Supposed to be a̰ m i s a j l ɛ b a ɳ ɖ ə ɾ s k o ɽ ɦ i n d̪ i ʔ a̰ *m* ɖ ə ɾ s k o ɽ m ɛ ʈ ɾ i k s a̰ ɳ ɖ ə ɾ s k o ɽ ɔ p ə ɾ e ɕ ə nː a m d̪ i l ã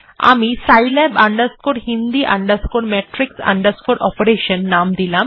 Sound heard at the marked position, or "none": ɳ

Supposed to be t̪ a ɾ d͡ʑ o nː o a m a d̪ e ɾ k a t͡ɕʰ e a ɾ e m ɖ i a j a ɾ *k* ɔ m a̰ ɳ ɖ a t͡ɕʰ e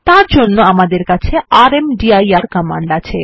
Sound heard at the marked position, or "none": k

